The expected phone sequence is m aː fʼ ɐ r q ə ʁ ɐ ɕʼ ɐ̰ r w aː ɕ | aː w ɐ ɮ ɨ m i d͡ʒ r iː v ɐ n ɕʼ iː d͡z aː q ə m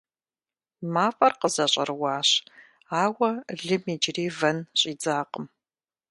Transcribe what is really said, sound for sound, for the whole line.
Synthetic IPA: m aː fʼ ɐ r q ə z ɐ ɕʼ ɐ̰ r w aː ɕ | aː w ɐ ɮ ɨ m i d͡ʒ r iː v ɐ n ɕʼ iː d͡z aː q ə m